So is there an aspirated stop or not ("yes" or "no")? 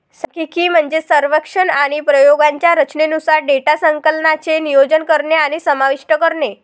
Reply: no